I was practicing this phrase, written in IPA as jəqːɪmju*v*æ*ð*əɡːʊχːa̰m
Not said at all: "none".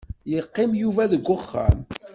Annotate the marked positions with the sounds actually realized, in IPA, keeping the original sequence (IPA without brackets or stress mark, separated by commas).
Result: v, ð